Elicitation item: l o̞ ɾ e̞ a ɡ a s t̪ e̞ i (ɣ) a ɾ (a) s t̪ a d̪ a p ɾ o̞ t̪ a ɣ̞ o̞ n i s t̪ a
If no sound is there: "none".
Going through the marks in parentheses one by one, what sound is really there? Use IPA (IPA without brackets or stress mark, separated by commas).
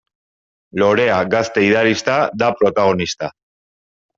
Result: ð, i